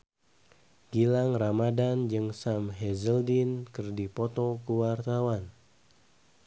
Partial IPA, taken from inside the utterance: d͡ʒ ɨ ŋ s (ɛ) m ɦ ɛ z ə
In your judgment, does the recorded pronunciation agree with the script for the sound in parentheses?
no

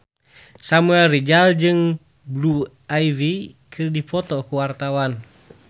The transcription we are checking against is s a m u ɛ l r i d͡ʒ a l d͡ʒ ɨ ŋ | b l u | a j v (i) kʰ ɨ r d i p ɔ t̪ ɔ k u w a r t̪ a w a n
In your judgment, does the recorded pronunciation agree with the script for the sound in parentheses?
yes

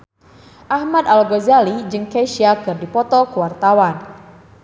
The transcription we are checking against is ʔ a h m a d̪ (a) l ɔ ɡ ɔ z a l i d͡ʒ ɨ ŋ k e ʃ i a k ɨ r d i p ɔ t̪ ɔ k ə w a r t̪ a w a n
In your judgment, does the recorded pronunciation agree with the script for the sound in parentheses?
yes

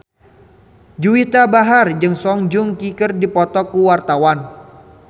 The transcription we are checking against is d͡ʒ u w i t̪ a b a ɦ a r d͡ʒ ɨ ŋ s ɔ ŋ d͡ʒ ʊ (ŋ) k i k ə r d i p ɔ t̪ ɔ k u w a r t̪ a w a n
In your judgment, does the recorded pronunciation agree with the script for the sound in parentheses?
yes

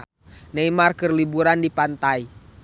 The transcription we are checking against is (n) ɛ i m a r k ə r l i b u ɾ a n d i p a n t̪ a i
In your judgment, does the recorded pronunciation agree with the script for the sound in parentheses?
yes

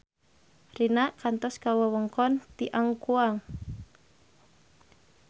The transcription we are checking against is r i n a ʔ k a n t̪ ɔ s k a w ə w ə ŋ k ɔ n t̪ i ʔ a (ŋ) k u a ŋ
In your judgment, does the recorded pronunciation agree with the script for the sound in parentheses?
yes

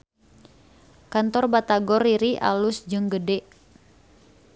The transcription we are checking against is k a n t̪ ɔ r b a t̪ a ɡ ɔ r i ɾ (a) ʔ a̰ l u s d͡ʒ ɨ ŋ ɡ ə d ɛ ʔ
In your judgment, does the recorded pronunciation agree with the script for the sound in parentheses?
no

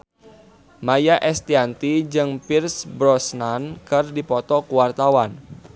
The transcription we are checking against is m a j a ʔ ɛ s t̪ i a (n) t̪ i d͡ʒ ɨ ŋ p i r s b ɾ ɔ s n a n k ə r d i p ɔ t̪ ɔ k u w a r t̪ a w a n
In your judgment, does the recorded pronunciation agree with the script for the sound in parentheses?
yes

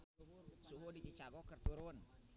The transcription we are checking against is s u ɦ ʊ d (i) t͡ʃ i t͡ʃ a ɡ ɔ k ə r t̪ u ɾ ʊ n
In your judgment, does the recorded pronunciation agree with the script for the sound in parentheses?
yes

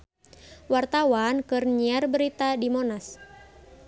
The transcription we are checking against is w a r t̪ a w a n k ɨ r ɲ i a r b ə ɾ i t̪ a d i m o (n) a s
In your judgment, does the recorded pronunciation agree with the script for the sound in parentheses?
yes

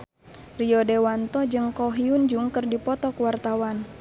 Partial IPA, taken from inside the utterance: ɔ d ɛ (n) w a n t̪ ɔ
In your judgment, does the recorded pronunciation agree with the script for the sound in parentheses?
no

